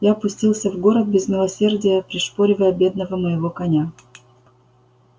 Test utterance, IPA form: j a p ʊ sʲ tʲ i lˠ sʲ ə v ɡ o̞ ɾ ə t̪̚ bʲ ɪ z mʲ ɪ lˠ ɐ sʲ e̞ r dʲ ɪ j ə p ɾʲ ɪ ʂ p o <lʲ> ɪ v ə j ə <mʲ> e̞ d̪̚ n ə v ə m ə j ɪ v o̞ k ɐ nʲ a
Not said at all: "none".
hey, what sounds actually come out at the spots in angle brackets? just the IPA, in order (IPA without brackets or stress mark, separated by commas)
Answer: ɾʲ, bʲ